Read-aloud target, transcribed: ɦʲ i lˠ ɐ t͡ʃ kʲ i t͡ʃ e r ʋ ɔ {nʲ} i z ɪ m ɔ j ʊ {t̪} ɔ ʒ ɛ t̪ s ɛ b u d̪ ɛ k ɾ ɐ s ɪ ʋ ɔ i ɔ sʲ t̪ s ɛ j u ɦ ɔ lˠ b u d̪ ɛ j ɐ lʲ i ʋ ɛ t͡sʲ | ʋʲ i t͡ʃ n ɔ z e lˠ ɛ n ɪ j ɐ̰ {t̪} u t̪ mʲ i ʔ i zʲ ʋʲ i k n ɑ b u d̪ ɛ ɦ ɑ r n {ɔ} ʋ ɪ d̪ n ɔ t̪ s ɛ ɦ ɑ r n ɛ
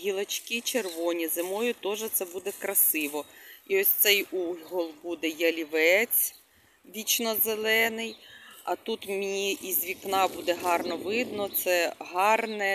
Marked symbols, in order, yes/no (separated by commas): yes, yes, yes, yes